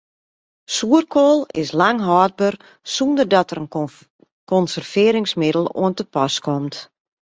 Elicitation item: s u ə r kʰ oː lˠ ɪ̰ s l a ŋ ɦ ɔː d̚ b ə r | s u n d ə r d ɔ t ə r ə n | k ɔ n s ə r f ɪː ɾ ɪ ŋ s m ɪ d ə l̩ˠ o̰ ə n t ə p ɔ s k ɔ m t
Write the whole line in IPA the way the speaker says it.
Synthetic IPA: s u ə r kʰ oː lˠ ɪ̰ s l a ŋ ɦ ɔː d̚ b ə r | s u n d ə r d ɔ t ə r ə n | k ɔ n s ə r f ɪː ɾ ɪ ŋ s m ɪ d ə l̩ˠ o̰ ə n t ə p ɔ s k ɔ m t